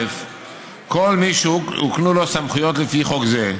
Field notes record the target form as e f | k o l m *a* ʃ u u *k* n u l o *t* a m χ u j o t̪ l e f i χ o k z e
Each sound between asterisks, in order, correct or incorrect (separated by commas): incorrect, correct, incorrect